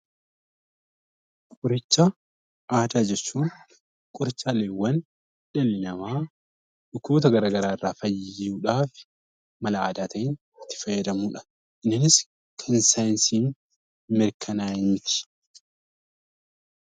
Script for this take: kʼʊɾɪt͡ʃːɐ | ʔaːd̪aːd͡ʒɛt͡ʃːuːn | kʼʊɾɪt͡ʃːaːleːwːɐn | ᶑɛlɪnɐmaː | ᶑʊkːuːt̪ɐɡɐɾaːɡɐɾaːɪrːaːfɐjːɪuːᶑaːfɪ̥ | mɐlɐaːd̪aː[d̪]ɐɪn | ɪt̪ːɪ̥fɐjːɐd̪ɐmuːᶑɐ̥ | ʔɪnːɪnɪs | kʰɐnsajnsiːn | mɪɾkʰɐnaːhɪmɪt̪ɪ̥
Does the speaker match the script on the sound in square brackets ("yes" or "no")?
no